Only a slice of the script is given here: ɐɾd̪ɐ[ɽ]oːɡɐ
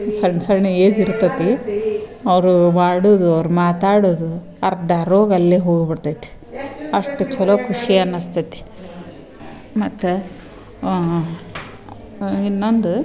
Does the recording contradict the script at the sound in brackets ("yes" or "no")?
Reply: yes